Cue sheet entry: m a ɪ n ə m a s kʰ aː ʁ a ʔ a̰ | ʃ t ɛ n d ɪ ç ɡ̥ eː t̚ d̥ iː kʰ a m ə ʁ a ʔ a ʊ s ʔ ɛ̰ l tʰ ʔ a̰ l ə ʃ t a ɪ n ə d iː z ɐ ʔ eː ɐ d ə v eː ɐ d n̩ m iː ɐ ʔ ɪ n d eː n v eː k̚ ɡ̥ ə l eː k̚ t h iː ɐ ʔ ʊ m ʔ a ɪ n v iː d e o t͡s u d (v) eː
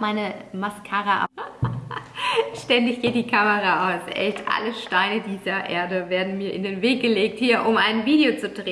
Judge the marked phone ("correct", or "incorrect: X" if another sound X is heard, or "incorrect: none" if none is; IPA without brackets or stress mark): incorrect: ʁ